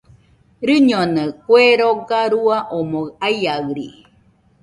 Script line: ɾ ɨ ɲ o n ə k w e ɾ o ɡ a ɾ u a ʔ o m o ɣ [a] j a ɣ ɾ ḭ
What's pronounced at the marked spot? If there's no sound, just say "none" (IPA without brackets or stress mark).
a